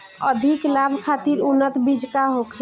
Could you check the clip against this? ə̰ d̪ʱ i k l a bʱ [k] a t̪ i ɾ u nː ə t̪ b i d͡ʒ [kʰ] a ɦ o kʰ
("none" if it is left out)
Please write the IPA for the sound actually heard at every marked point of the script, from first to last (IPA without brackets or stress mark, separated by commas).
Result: kʰ, k